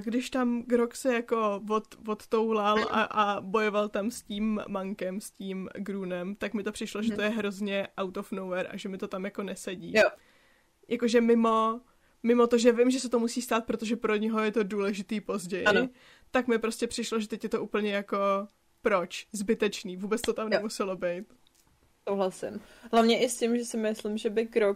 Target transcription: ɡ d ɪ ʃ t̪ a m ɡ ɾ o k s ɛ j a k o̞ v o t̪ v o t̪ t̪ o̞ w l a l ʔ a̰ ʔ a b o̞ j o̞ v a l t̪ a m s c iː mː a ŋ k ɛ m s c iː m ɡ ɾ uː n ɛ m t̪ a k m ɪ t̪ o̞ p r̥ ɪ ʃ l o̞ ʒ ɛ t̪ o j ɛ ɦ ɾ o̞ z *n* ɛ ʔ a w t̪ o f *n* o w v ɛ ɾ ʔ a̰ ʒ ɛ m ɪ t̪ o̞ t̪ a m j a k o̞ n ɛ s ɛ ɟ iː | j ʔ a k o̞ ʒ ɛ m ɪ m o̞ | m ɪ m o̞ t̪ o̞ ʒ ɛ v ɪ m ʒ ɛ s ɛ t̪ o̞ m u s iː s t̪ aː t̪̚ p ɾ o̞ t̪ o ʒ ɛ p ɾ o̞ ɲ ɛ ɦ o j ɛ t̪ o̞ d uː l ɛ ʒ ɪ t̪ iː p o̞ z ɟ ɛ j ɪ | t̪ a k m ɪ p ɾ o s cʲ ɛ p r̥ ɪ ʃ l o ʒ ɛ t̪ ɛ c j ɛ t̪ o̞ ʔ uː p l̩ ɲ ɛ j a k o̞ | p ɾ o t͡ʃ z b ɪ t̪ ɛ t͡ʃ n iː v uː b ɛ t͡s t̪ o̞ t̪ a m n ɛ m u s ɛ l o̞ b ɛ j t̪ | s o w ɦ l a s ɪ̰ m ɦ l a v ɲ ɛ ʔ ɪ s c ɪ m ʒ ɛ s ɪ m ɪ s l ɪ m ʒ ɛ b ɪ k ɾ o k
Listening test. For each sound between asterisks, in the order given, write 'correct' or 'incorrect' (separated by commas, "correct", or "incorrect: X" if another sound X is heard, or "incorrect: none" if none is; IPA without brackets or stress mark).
incorrect: ɲ, correct